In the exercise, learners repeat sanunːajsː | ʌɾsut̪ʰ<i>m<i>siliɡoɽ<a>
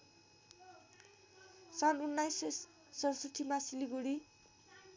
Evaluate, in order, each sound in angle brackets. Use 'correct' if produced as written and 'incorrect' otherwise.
correct, incorrect, incorrect

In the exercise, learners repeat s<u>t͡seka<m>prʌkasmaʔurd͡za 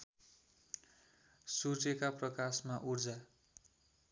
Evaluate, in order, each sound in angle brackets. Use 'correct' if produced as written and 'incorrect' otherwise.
correct, incorrect

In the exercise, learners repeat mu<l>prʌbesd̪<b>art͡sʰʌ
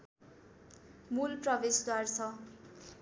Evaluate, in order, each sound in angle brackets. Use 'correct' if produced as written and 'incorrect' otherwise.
correct, incorrect

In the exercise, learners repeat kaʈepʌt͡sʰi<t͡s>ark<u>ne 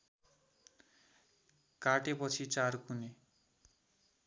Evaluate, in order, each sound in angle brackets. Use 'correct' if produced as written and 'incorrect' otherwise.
correct, correct

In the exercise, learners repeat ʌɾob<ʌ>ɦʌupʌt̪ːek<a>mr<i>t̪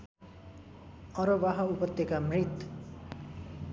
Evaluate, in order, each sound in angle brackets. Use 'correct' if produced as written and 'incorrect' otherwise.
incorrect, correct, correct

